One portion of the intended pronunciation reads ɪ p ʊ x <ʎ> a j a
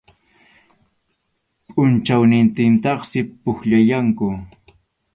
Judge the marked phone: correct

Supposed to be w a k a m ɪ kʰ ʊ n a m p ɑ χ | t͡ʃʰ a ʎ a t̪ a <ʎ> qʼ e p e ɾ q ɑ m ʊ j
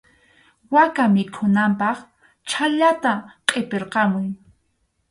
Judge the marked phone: incorrect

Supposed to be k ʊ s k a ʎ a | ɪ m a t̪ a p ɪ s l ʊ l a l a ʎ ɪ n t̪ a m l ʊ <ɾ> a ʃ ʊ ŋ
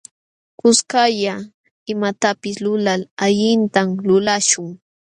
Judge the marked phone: incorrect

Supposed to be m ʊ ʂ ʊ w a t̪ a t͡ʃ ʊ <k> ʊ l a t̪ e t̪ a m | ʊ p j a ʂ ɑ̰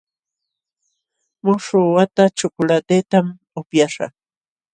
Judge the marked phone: correct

